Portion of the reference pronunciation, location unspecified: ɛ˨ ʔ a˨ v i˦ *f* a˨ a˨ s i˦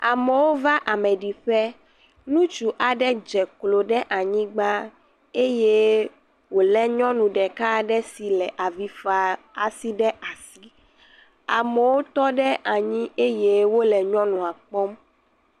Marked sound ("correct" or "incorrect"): correct